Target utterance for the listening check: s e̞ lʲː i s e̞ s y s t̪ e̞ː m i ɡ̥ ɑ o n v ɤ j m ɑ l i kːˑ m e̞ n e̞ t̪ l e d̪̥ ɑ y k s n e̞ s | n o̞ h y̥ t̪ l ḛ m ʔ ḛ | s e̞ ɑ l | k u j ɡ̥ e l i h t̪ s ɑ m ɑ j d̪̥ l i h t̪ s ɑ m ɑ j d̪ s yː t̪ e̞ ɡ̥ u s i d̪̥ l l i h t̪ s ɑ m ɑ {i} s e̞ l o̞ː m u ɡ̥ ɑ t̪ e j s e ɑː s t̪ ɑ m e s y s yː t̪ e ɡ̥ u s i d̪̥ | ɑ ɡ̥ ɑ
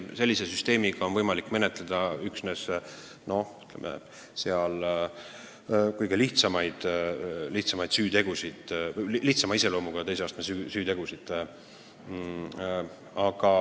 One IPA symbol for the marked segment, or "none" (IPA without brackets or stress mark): i